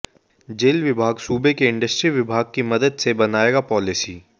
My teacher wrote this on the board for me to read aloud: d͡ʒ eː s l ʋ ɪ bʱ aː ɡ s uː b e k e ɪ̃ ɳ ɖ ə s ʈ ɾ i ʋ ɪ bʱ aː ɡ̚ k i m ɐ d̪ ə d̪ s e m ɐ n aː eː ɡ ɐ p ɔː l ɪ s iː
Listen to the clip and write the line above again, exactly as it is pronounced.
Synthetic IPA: d͡ʒ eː l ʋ ɪ bʱ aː ɡ s uː b e k e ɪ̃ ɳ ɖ ə s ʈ ɾ i ʋ ɪ bʱ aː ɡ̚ k i m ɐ d̪ ə d̪ s e b ɐ n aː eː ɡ a p ɔː l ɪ s iː

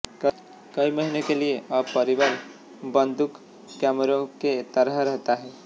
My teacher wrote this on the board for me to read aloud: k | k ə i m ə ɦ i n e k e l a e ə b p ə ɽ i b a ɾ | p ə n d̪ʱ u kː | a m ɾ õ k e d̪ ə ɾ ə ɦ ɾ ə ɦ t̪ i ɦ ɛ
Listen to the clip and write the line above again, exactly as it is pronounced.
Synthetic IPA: k | k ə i m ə ɦ i n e k e l i e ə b p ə ɾ i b a ɾ | b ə n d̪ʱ u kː | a m ɾ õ k e t̪ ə ɾ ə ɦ ɾ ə ɦ t̪ a ɦ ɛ

